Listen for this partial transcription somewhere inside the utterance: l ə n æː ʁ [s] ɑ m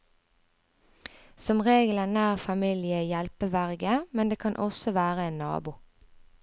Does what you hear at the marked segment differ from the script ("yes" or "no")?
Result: yes